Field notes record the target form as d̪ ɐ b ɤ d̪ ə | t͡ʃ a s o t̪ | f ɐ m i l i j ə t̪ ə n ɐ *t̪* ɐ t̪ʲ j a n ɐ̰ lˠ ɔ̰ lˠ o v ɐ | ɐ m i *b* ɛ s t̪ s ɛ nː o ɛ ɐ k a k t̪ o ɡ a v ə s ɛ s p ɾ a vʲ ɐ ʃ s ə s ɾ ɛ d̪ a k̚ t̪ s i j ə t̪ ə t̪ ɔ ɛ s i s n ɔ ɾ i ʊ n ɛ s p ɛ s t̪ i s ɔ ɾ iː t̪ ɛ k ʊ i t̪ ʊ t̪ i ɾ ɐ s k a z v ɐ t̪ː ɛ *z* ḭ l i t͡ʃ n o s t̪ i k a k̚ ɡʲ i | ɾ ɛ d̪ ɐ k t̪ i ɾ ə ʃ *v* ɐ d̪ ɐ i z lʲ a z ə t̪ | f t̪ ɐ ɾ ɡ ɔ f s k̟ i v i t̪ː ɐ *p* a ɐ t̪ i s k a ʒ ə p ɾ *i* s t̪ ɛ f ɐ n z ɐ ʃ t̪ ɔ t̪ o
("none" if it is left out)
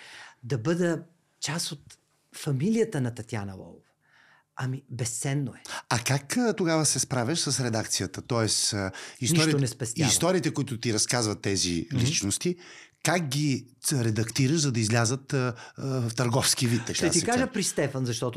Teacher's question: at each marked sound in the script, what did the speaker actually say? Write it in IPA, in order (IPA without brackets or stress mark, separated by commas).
t̪, b, z, z, k, i